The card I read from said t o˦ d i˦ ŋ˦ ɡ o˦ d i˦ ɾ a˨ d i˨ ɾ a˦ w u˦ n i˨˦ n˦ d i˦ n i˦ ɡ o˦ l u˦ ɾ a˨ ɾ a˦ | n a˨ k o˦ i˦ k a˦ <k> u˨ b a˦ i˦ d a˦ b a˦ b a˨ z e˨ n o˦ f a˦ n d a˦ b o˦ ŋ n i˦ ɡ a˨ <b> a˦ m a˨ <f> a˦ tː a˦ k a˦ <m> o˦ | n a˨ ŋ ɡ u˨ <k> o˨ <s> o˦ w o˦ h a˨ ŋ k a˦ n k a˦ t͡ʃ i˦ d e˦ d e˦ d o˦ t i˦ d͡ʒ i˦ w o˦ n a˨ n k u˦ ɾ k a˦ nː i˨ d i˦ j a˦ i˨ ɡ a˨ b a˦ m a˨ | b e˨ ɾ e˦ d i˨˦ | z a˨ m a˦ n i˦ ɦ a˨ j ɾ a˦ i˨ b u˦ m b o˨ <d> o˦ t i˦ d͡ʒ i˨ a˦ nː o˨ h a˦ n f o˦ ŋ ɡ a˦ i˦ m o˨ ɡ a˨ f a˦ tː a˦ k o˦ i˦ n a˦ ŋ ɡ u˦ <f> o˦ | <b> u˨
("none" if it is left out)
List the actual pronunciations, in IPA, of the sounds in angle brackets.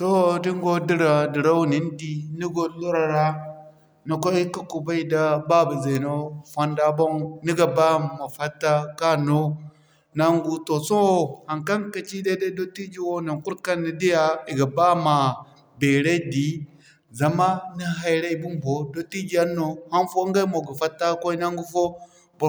k, b, f, n, t, s, d, f, b

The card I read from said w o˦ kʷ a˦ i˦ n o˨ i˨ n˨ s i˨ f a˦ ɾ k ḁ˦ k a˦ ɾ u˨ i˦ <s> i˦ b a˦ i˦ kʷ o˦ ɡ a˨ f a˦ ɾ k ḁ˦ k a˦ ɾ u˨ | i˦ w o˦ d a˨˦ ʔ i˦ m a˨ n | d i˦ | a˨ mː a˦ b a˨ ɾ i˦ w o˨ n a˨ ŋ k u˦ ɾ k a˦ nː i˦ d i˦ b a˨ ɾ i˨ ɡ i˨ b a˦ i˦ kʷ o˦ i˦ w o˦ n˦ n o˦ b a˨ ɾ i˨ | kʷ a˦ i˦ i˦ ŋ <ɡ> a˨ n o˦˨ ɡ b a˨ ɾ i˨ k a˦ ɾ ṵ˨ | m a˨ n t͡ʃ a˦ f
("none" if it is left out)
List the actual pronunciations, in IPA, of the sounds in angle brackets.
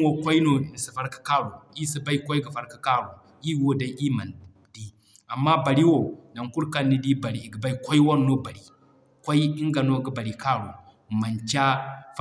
s, ɡ

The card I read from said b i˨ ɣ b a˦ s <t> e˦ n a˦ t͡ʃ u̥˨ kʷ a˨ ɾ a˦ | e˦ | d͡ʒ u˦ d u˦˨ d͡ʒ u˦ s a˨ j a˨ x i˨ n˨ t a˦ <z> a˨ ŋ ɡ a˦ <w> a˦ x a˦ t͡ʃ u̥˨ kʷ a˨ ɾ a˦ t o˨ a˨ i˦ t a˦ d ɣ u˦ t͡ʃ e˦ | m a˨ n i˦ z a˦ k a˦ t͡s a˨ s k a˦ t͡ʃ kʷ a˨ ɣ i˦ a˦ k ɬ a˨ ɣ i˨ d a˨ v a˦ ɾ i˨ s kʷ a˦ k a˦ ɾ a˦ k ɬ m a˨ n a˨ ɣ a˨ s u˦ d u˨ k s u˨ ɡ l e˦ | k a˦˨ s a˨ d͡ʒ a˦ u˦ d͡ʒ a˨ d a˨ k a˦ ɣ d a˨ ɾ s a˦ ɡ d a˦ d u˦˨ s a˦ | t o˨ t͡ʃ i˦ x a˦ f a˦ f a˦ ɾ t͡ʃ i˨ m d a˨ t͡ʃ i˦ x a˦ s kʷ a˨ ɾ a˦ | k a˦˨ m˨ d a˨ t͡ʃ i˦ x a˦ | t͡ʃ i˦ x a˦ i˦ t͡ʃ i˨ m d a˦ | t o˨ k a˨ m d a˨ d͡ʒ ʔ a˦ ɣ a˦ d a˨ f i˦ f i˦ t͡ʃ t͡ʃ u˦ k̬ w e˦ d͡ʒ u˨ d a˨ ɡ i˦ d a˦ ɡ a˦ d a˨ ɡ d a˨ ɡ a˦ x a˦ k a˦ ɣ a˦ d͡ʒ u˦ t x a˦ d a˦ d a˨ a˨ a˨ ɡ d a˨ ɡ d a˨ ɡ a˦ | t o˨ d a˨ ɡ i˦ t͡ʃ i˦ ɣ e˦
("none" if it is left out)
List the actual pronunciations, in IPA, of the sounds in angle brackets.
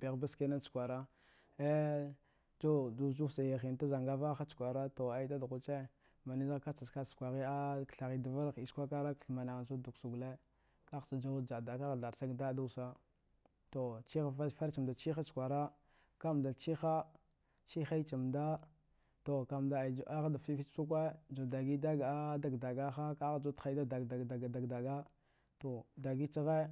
k, z, v

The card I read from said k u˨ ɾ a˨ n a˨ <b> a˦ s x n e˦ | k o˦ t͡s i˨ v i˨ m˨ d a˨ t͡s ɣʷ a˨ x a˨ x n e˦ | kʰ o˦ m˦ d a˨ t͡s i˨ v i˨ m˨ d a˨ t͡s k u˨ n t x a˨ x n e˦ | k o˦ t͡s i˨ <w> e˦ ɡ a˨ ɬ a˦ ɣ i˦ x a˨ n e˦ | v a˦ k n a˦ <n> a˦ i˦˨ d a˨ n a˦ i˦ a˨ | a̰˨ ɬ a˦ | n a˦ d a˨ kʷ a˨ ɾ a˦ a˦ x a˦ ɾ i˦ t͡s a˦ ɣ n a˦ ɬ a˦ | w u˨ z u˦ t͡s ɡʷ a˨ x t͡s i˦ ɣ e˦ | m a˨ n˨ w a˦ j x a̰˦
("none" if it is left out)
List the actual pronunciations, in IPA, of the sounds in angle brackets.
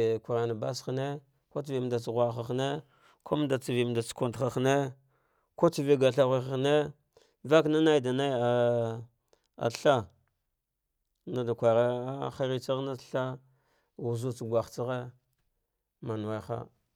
b, v, n

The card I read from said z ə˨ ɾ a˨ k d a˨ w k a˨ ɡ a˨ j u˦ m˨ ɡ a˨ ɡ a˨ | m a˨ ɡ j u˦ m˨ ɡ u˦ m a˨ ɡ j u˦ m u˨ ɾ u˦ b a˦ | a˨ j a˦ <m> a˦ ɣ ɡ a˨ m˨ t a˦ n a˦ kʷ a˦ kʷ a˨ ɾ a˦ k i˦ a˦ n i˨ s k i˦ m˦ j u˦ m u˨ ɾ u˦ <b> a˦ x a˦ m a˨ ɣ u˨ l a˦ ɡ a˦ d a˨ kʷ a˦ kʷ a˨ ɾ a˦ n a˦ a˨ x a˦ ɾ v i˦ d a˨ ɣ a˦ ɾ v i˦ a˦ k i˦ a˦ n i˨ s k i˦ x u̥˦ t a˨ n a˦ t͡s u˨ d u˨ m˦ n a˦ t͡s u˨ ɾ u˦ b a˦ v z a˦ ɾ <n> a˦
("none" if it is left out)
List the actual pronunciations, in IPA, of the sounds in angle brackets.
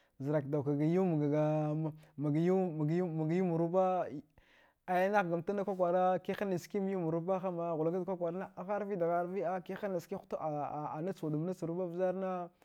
n, b, n

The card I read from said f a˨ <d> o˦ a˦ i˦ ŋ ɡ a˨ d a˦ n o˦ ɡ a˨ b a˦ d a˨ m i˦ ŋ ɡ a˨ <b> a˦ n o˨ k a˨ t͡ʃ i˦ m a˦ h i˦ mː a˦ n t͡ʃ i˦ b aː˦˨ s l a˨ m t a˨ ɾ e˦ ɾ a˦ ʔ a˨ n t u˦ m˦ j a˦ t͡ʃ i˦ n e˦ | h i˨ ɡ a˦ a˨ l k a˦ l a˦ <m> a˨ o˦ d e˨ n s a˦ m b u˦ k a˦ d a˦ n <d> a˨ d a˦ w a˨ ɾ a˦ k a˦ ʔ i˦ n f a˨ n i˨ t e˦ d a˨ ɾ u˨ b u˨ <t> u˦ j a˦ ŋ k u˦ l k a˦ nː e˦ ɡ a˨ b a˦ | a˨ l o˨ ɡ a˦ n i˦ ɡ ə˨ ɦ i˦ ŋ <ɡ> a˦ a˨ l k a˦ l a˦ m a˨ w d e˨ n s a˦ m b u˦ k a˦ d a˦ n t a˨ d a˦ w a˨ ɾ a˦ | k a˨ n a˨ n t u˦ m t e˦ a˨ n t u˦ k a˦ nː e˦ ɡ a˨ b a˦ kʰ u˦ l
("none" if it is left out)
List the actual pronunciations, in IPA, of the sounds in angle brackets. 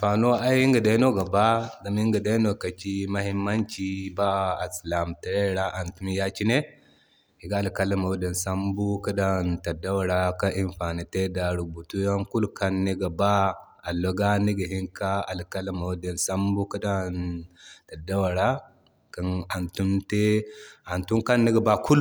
n, d, m, t, t, k

